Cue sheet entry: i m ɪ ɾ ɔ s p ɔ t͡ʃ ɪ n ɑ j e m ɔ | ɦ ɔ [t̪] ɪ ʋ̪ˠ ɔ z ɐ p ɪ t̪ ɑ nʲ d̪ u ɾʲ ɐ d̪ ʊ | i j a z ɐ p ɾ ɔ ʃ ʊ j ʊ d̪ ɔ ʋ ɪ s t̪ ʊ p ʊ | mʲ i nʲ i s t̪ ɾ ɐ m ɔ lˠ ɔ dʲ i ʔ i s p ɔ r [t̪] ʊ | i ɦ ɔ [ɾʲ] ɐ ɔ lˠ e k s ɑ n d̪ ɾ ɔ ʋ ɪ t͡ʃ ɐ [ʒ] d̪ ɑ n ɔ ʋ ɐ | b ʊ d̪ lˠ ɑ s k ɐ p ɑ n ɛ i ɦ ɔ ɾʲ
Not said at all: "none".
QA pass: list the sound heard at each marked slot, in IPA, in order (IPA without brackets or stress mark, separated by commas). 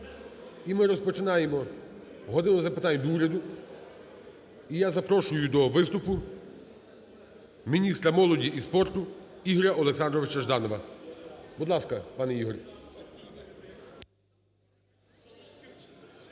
d̪, t̪, ɾʲ, ʒ